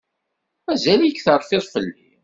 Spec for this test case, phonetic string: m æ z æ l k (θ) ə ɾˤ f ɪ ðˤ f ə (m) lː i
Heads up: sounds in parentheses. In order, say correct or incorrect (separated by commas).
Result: correct, incorrect